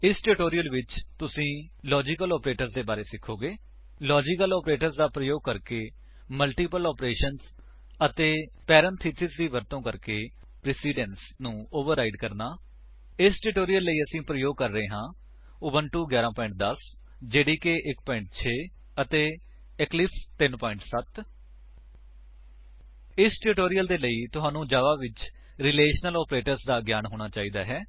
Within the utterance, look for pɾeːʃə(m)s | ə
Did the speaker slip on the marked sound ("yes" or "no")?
yes